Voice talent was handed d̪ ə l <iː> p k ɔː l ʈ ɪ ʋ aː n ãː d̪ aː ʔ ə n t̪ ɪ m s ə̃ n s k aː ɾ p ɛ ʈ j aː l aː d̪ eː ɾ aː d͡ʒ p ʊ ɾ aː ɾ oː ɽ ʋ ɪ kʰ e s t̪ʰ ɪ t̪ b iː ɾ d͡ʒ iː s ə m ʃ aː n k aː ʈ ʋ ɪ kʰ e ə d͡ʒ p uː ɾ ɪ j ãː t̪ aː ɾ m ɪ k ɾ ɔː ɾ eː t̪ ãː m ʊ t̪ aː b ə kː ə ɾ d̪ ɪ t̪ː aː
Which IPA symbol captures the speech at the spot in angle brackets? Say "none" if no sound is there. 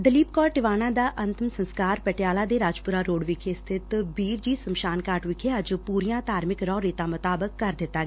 iː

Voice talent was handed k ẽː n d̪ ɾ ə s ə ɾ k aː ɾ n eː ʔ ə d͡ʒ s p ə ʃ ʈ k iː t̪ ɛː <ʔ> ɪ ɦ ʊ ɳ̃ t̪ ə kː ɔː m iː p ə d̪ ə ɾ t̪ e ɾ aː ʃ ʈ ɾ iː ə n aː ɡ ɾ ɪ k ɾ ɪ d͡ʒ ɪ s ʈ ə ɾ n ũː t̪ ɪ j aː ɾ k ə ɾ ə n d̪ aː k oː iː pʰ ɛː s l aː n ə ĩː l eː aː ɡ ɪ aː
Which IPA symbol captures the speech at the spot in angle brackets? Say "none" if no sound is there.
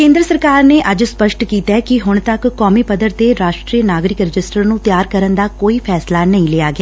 k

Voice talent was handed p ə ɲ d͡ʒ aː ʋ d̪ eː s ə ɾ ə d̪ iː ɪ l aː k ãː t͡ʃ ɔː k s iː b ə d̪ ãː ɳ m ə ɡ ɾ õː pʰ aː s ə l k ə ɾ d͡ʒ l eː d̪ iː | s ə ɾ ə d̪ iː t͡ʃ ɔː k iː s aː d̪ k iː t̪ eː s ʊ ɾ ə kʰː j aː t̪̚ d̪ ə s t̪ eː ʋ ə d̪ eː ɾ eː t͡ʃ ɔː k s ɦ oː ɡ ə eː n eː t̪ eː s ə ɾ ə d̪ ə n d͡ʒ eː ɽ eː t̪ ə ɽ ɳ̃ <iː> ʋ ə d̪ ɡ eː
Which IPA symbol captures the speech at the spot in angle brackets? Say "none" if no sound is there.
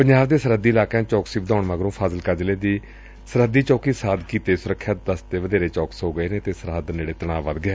aː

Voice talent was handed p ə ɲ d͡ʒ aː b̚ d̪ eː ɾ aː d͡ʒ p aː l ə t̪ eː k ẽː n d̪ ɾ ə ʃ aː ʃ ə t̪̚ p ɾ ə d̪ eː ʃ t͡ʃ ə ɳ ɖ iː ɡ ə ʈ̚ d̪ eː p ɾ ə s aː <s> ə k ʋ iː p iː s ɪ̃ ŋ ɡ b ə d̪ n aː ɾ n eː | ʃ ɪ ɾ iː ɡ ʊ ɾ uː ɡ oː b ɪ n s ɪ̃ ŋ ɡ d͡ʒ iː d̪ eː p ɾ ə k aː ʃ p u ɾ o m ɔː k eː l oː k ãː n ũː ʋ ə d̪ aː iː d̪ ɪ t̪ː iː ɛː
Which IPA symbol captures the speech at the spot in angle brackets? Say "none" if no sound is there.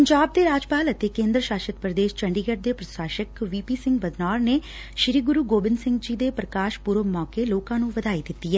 ʃ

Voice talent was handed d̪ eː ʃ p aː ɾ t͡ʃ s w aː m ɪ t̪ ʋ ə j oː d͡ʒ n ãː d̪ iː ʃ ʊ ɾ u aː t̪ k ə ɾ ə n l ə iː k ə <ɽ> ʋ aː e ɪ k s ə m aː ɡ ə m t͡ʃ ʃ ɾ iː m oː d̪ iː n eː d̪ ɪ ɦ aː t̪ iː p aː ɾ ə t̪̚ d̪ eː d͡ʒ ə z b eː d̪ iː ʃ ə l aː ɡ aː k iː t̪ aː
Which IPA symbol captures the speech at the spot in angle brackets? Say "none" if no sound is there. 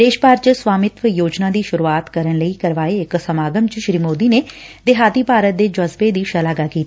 ɾ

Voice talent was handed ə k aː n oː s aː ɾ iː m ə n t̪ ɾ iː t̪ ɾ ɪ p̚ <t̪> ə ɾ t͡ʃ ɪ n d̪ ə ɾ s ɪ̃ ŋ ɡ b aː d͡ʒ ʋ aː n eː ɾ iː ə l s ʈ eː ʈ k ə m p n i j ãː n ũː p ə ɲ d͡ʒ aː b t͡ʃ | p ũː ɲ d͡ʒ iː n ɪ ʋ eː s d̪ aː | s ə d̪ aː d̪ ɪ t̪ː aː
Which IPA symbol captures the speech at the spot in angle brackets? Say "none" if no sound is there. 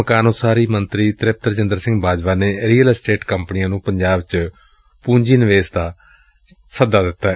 t̪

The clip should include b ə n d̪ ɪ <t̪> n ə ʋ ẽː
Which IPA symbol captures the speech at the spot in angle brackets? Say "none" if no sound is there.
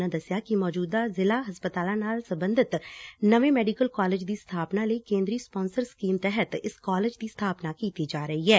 t̪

